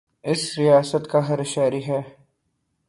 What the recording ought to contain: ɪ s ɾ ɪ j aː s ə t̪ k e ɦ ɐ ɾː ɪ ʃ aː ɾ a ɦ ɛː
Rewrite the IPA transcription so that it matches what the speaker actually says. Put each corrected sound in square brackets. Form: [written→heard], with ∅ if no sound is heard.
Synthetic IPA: ɪ s ɾ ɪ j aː s ə t̪ k [e→a] ɦ ɐ [ɾː→ɾ] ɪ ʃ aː ɾ [a→i] ɦ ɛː